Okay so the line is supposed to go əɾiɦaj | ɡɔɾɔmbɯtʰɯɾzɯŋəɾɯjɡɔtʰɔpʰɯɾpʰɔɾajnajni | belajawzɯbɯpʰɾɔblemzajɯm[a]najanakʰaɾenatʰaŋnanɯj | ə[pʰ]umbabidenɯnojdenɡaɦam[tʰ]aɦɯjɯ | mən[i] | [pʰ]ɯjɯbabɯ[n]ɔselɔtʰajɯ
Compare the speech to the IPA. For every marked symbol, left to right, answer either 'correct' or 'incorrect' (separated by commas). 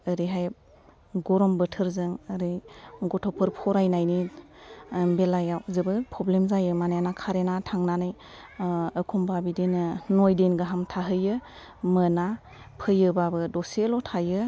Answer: correct, incorrect, correct, incorrect, correct, incorrect